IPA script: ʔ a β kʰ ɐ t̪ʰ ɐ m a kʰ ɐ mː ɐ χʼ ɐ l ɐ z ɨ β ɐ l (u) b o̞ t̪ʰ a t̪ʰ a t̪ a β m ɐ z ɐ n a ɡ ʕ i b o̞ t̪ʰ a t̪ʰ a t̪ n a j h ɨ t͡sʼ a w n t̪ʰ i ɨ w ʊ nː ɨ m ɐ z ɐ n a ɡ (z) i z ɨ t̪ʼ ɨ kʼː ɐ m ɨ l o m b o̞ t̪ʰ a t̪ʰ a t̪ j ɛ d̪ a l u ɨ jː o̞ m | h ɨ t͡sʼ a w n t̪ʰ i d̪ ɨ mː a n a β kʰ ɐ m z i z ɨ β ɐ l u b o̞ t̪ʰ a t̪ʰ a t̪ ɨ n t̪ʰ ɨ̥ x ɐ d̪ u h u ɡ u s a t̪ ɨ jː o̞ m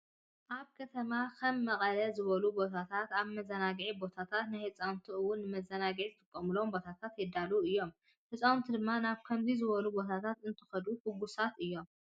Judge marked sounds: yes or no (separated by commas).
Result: yes, no